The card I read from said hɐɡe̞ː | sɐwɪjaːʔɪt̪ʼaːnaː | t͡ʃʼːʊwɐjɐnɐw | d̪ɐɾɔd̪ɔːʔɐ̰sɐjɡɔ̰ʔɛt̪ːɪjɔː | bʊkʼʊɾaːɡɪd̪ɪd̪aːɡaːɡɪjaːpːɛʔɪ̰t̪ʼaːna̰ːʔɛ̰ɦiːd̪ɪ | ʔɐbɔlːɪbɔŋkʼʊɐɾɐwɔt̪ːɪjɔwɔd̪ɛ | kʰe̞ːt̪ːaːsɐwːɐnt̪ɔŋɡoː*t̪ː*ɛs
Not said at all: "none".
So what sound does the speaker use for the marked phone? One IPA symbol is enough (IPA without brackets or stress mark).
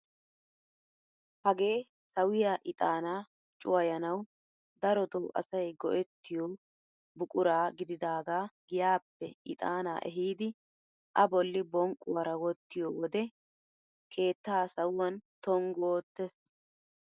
t̪ː